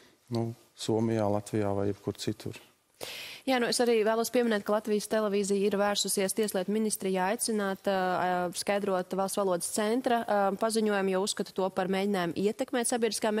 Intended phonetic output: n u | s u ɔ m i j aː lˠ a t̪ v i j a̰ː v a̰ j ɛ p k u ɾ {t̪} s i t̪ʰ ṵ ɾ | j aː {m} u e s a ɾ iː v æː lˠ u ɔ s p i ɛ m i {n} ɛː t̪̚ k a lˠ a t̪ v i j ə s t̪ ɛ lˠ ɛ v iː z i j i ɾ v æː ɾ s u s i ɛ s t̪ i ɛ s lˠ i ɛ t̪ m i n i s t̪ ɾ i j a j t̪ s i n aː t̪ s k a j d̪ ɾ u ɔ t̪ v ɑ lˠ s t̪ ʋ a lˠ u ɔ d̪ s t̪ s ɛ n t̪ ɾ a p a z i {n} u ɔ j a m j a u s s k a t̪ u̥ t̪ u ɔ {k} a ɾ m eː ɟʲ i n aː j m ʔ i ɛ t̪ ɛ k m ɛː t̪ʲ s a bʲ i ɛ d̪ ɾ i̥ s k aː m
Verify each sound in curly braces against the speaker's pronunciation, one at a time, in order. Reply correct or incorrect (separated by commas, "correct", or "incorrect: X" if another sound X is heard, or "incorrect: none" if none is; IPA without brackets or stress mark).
correct, incorrect: n, correct, incorrect: ɲ, incorrect: p